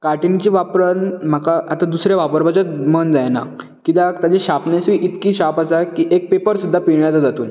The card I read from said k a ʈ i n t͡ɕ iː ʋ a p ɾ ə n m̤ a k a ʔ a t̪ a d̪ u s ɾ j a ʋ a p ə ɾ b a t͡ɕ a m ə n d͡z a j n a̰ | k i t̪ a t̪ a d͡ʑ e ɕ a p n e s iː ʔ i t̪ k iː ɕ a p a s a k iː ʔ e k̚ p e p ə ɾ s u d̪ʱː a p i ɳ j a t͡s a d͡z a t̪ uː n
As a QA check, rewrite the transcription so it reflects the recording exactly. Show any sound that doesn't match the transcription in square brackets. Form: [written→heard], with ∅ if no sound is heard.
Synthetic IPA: k a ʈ i n t͡ɕ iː ʋ a p ɾ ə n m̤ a k a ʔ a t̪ a d̪ u s ɾ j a ʋ a p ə ɾ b a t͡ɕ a m ə n d͡z a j n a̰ | k i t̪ a t̪ a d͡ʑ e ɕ a p n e s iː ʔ i t̪ k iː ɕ a p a s a k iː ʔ e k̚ p e p ə ɾ s u d̪ʱː a p i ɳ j a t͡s a d͡z a t̪ uː n